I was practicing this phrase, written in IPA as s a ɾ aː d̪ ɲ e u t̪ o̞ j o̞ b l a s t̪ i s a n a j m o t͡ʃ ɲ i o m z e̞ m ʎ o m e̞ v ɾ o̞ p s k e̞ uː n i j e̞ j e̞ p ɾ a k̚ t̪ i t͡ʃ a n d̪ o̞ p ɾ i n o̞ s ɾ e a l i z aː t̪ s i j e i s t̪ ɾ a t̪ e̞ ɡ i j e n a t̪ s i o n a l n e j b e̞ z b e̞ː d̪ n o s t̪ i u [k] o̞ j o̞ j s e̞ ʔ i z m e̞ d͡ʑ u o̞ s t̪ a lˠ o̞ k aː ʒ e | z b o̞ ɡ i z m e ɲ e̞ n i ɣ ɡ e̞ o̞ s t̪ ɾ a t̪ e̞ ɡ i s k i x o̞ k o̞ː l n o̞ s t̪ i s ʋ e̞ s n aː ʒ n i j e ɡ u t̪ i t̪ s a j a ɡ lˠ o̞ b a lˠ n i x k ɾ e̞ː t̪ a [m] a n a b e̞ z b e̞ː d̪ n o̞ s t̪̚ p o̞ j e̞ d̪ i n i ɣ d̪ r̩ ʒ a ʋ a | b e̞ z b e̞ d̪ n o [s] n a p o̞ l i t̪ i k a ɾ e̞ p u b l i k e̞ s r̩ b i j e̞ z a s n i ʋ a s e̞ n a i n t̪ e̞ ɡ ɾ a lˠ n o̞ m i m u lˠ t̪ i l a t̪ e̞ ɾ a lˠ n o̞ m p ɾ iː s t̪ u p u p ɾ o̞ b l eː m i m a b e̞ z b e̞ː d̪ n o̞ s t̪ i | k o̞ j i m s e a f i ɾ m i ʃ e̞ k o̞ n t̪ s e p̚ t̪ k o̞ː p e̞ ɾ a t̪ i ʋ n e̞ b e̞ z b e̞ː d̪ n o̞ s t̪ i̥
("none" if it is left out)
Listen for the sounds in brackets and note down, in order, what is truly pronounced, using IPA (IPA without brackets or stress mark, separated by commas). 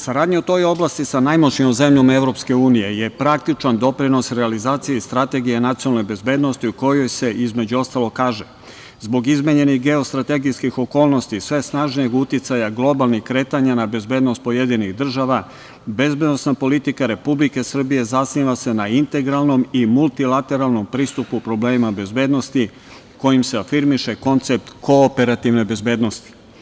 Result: k, ɲ, s